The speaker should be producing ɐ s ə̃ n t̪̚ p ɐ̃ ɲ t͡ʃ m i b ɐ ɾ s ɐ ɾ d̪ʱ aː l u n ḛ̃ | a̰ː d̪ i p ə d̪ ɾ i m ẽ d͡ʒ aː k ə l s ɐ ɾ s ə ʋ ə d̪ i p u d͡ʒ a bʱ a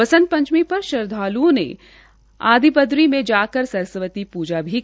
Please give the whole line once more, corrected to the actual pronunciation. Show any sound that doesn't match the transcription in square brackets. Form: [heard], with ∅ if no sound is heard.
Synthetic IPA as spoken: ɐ s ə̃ n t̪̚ p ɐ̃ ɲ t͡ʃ m i [p] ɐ ɾ [ʃ] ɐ ɾ d̪ʱ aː l u n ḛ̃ | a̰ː d̪ i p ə d̪ ɾ i m ẽ d͡ʒ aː k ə [ɾ] s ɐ ɾ s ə ʋ ə [t̪] i p [uː] d͡ʒ a bʱ [i]

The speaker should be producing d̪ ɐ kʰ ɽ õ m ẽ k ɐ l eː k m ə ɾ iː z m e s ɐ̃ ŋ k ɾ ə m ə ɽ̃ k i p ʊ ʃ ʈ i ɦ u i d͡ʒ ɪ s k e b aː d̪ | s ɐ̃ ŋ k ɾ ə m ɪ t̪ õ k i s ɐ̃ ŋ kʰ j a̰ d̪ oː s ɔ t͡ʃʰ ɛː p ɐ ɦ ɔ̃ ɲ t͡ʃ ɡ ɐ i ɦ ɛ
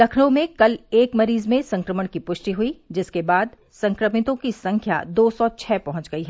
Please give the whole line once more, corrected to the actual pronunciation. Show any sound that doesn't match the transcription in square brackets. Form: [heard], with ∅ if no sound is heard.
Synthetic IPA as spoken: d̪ ɐ kʰ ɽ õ m ẽ k ɐ l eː k m [ɐ] ɾ iː z m [ẽ] s ɐ̃ ŋ k ɾ ə m ə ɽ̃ k i p ʊ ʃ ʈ i ɦ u i d͡ʒ ɪ s k e b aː d̪ | s ɐ̃ ŋ k ɾ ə m ɪ t̪ õ k i s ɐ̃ ŋ kʰ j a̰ d̪ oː s ɔ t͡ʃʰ ɛː p ɐ ɦ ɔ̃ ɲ t͡ʃ ɡ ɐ i ɦ ɛ

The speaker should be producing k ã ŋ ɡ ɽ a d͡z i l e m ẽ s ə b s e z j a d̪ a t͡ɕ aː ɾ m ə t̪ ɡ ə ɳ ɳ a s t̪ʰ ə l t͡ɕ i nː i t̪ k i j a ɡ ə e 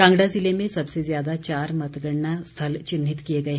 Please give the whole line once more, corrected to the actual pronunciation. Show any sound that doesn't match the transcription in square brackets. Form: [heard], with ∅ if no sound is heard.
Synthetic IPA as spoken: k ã ŋ ɡ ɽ a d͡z i l e m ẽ s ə b s e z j a d̪ a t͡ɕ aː ɾ m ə t̪ ɡ ə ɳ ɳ a s t̪ʰ ə l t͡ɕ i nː i t̪ k i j [e] ɡ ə e

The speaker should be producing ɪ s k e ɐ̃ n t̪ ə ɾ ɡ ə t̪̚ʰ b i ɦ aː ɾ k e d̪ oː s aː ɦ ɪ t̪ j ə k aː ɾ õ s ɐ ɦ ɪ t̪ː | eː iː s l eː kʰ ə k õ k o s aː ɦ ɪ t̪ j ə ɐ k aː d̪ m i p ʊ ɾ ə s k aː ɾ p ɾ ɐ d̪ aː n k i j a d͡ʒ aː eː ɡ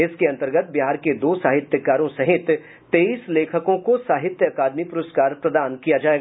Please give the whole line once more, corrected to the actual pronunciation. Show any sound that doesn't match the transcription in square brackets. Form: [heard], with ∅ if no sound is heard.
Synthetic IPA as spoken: ɪ s k e ɐ̃ n t̪ ə ɾ ɡ ə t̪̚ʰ b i ɦ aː ɾ k e d̪ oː s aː ɦ ɪ t̪ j ə k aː ɾ õ s ɐ ɦ ɪ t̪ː | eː iː s l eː kʰ ə k õ k o s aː ɦ ɪ t̪ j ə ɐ k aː d̪ m i p ʊ ɾ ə s k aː ɾ p ɾ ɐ d̪ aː n k i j a d͡ʒ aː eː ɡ

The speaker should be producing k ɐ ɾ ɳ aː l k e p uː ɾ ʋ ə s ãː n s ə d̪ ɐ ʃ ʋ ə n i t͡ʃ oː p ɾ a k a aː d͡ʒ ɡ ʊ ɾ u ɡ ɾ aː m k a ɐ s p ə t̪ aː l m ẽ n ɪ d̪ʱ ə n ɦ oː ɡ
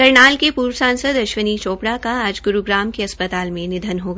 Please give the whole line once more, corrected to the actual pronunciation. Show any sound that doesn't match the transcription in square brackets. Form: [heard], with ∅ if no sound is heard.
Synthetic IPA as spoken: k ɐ ɾ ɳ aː l k e p uː ɾ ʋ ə s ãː n s ə d̪ ɐ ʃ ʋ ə n i t͡ʃ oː p [ɽ] a k a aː d͡ʒ ɡ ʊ ɾ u ɡ ɾ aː m k [e] ɐ s p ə t̪ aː l m ẽ n ɪ d̪ʱ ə n ɦ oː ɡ

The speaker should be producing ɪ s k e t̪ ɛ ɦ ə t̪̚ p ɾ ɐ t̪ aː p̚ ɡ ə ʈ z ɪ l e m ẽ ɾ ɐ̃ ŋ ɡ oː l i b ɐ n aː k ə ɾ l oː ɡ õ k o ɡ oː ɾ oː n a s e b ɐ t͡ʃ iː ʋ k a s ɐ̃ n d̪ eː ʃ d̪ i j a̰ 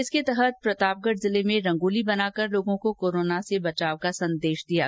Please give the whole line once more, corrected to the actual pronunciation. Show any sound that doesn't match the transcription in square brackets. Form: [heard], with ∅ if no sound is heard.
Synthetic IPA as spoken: ɪ s k e t̪ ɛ ɦ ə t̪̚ p ɾ ɐ t̪ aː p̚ ɡ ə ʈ z ɪ l e m ẽ ɾ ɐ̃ ŋ ɡ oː l i b ɐ n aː k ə ɾ l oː ɡ õ k o [k] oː ɾ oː n a s e b ɐ t͡ʃ [aː] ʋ k a s ɐ̃ n d̪ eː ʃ d̪ i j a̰

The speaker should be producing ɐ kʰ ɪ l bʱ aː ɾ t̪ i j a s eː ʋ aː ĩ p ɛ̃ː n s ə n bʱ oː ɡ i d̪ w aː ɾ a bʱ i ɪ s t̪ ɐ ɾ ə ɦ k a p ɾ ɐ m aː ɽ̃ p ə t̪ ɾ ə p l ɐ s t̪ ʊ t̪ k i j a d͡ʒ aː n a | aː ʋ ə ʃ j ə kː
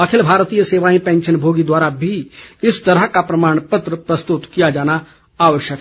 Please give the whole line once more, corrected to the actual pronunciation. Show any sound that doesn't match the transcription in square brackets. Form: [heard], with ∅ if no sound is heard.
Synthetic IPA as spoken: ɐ kʰ ɪ l bʱ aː ɾ t̪ i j [ə] s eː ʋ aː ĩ p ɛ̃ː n [ʃ] ə n bʱ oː ɡ i d̪ w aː ɾ a bʱ i ɪ s t̪ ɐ ɾ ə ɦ k a p ɾ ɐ m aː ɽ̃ p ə t̪ ɾ ə p [ɾ] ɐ s t̪ ʊ t̪ k i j a d͡ʒ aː n a | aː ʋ ə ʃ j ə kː

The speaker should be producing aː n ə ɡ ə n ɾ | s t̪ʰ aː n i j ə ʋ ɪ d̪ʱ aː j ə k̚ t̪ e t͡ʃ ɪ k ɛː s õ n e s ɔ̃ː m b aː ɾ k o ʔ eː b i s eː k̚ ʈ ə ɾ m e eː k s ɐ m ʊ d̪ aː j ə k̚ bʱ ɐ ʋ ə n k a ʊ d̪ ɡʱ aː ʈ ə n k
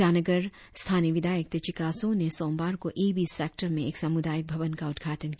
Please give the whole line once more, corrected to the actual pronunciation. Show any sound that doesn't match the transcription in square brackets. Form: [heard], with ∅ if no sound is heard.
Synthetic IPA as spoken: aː n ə ɡ ə [∅] ɾ | s t̪ʰ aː n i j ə ʋ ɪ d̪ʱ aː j ə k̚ t̪ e t͡ʃ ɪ k [aː] s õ n e s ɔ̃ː m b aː ɾ k o ʔ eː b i s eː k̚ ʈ ə ɾ m [ẽ] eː k s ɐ m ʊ d̪ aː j ə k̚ bʱ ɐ ʋ ə n k a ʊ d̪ ɡʱ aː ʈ ə n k

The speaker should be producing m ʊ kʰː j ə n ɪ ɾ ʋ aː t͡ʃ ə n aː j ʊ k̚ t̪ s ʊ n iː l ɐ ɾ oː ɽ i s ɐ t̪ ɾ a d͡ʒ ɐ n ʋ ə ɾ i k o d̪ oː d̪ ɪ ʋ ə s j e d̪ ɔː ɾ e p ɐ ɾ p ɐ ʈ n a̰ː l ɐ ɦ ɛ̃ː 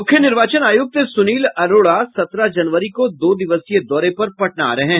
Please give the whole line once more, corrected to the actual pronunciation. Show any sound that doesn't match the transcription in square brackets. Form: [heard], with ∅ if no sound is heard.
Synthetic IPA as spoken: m ʊ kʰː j ə n ɪ ɾ ʋ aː t͡ʃ ə n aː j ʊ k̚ t̪ s ʊ n iː l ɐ ɾ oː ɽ [a] s ɐ t̪ ɾ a d͡ʒ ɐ n ʋ ə ɾ i k o d̪ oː d̪ ɪ ʋ ə s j e d̪ ɔː ɾ e p ɐ ɾ p ɐ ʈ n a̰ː [ɾ] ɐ ɦ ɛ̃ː

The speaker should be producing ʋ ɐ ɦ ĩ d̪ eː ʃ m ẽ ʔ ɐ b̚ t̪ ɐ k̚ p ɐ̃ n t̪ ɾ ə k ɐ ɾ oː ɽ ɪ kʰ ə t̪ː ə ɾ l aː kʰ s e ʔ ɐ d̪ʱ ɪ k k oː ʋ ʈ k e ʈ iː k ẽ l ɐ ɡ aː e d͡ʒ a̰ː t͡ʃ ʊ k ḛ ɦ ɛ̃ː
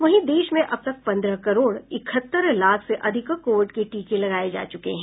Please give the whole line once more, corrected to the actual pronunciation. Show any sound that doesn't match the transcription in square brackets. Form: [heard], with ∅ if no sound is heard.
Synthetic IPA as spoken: ʋ ɐ ɦ ĩ d̪ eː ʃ m ẽ ʔ ɐ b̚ t̪ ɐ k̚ p ɐ̃ n [d̪] ɾ ə k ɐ ɾ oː ɽ ɪ kʰ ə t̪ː ə ɾ l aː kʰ s e ʔ ɐ d̪ʱ ɪ k k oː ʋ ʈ k e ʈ iː k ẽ l ɐ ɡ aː e d͡ʒ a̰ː t͡ʃ ʊ k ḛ ɦ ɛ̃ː

